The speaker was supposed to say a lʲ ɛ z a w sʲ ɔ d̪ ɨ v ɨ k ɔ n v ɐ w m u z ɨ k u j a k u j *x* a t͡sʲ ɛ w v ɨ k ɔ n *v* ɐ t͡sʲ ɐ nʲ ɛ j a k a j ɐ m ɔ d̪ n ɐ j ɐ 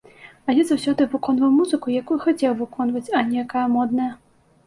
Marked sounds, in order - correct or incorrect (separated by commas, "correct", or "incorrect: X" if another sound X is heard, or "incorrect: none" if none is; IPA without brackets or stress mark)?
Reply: correct, correct